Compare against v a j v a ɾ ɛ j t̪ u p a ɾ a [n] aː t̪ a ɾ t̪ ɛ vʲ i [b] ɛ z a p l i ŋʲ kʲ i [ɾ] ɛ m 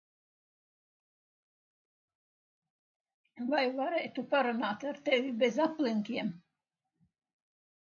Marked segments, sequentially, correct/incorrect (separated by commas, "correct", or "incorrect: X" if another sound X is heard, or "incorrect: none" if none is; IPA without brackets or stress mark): correct, correct, incorrect: none